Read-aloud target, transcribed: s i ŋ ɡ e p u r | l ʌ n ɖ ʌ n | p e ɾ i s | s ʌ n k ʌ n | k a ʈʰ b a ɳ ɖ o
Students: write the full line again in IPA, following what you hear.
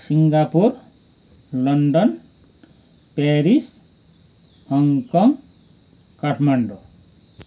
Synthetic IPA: s i ŋ ɡ a p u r | l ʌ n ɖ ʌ n | p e ɾ i s | h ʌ ŋ k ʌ ŋ | k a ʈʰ m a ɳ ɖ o

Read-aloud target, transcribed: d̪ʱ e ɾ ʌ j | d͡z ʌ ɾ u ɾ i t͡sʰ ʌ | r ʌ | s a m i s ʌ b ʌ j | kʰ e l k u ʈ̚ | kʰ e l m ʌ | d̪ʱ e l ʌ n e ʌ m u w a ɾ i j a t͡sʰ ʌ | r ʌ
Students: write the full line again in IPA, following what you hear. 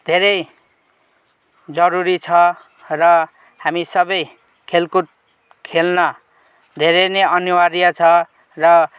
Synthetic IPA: d̪ʱ e ɾ ʌ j | d͡z ʌ ɾ u ɾ i t͡sʰ ʌ | r ʌ | h a m i s ʌ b ʌ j | kʰ e l k u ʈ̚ | kʰ e l n ʌ | d̪ʱ e ɾ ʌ n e ʌ n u w a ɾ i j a t͡sʰ ʌ | r ʌ

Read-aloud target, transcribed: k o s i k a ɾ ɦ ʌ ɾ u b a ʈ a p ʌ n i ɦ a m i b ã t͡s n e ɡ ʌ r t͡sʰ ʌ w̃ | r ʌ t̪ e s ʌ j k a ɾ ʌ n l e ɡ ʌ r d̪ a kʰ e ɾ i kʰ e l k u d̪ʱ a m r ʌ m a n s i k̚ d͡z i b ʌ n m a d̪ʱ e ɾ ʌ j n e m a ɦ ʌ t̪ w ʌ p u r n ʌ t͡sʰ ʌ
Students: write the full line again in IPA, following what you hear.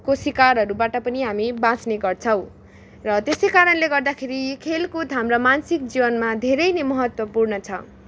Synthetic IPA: k o s i k a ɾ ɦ ʌ ɾ u b a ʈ ʌ p ʌ n i ɦ a m i b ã t͡s n e ɡ ʌ r t͡sʰ ʌ w̃ | r ʌ t̪ e s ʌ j k a ɾ ʌ n l e ɡ ʌ r d̪ a kʰ e ɾ i kʰ e l k u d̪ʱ a m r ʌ m a n s i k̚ d͡z i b ʌ n m a d̪ʱ e ɾ ʌ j n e m ʌ ɦ ʌ t̪ w ʌ p u r n ʌ t͡sʰ ʌ

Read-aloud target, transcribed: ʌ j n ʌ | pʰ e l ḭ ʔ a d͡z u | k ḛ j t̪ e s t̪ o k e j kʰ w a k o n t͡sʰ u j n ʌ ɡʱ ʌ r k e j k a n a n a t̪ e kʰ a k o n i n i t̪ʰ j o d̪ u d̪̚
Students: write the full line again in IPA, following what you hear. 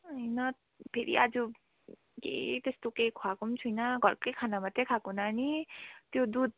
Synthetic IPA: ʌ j n ʌ | pʰ e ɾ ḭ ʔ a d͡z u | k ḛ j t̪ e s t̪ o k e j kʰ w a k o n t͡sʰ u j n ʌ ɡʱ ʌ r k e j kʰ a n a m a t̪ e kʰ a k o n a n i t̪ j o d̪ u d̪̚

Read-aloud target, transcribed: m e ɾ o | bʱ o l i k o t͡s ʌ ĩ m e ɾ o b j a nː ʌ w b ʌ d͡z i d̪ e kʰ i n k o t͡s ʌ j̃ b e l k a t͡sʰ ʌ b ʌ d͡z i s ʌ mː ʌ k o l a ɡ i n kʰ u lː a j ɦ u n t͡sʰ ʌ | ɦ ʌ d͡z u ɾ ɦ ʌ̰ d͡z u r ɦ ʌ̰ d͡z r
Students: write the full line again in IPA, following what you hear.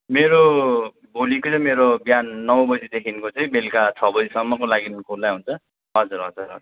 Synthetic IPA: m e ɾ o | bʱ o l i k o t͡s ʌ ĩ m e ɾ o b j a nː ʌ w b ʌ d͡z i d̪ e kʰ i n k o t͡s ʌ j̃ b e l k a t͡sʰ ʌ b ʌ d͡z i s ʌ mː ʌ k o l a ɡ i n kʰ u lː a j ɦ u n t͡sʰ ʌ | ɦ ʌ d͡z u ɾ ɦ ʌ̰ d͡z u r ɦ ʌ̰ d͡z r

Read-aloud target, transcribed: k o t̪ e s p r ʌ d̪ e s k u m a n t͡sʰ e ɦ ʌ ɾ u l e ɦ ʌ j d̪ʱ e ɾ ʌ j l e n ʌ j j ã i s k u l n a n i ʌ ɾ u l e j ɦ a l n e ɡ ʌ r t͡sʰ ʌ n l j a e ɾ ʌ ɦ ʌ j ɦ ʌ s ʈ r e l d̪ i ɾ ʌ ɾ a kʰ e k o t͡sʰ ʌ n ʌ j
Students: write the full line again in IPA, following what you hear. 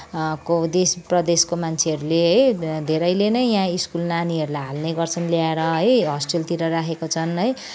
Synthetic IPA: k o d̪ e s p r ʌ d̪ e s k o m a n t͡sʰ e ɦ ʌ ɾ u l e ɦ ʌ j d̪ʱ e ɾ ʌ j l e n ʌ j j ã i s k u l n a n i ʌ ɾ u l a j ɦ a l n e ɡ ʌ r t͡sʰ ʌ n l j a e ɾ ʌ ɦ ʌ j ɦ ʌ s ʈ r e l t̪ i ɾ ʌ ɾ a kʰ e k o t͡sʰ ʌ n ʌ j

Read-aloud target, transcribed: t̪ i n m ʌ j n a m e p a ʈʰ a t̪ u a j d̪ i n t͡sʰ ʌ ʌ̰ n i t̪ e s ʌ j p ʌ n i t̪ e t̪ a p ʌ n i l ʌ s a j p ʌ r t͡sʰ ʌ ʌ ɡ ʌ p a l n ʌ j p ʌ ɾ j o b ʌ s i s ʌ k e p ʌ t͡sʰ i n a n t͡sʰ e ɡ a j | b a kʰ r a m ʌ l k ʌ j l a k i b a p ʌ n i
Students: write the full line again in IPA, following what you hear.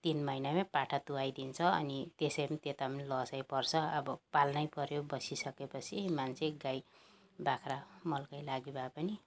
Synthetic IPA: t̪ i n m ʌ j n a m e p a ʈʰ a t̪ u a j d̪ i n t͡sʰ ʌ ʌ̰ n i t̪ e s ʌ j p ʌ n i t̪ e t̪ a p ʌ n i l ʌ s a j p ʌ r t͡sʰ ʌ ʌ b ʌ p a l n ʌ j p ʌ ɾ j o b ʌ s i s ʌ k e p ʌ t͡sʰ i m a n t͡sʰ e ɡ a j | b a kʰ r a m ʌ l k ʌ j l a ɡ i b a p ʌ n i

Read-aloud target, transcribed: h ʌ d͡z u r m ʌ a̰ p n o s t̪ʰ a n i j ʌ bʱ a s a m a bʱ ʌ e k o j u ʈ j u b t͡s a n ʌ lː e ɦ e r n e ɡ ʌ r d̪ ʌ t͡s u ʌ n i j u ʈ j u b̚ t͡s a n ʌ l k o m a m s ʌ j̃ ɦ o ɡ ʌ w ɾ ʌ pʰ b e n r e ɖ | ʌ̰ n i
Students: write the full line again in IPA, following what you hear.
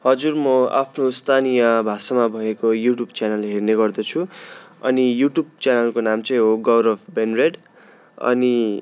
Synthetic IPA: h ʌ d͡z u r m ʌ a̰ pʰ n o s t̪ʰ a n i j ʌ bʱ a s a m a bʱ ʌ e k o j u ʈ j u b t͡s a n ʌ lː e ɦ e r n e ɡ ʌ r d̪ ʌ t͡sʰ u ʌ n i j u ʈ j u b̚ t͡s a n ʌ l k o n a m t͡s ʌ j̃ ɦ o ɡ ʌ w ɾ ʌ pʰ b e n r e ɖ | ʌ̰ n i

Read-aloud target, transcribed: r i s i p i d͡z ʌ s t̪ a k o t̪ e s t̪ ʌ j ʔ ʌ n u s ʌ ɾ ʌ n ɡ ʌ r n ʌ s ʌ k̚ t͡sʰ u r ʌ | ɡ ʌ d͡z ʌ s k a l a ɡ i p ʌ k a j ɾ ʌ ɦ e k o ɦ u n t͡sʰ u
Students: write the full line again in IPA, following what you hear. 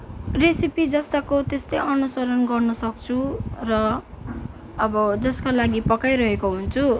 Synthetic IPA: r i s i p i d͡z ʌ s t̪ a k o t̪ e s t̪ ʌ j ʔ ʌ n u s ʌ ɾ ʌ n ɡ ʌ r n ʌ s ʌ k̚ t͡sʰ u r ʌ | b ʌ d͡z ʌ s k a l a ɡ i p ʌ k a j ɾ ʌ ɦ e k o ɦ u n t͡sʰ u

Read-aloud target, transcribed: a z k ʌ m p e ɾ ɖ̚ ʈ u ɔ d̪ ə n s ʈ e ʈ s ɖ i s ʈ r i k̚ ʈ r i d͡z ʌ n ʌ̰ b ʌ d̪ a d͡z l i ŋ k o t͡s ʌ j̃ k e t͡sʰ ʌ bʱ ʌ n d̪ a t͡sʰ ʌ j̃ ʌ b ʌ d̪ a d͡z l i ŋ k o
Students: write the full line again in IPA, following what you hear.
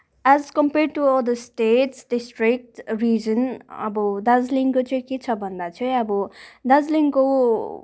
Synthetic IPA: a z k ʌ m p e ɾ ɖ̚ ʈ u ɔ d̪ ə s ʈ e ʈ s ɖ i s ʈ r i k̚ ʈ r i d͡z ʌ n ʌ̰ b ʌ d̪ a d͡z l i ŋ k o t͡s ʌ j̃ k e t͡sʰ ʌ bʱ ʌ n d̪ a t͡sʰ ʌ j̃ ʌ b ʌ d̪ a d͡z l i ŋ k o

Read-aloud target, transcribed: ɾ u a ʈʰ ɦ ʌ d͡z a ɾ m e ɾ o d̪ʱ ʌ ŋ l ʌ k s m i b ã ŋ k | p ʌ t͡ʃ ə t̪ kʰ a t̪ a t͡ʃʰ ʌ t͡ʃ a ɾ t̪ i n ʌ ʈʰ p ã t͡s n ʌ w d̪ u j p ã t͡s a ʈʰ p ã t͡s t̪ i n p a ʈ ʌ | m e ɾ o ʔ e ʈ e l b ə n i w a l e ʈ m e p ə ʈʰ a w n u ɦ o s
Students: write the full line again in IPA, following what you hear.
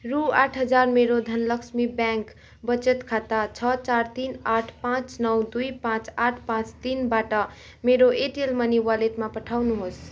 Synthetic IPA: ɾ u a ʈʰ ɦ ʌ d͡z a ɾ m e ɾ o d̪ʱ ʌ n l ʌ k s m i b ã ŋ k | b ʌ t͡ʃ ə t̪ kʰ a t̪ a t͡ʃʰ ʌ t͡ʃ a ɾ t̪ i n a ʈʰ p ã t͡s n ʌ w d̪ u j p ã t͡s a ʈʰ p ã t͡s t̪ i n b a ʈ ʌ | m e ɾ o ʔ e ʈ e l m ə n i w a l e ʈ m a p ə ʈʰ a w n u ɦ o s

